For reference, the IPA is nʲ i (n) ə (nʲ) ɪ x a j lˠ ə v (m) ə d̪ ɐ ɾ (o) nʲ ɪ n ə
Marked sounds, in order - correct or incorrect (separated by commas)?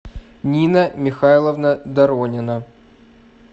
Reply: correct, incorrect, incorrect, correct